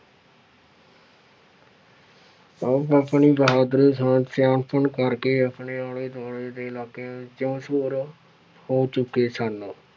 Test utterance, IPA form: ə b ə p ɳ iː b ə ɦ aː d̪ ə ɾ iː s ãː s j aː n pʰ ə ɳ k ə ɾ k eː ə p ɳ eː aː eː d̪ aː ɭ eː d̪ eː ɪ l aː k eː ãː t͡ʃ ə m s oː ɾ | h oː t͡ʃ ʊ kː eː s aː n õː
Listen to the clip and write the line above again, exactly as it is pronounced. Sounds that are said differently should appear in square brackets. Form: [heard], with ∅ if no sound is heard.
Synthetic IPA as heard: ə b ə p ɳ iː b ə ɦ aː d̪ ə ɾ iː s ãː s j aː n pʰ ə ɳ k ə ɾ k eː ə p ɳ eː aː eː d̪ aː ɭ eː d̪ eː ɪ l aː k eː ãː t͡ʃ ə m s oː ɾ | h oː t͡ʃ ʊ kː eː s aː n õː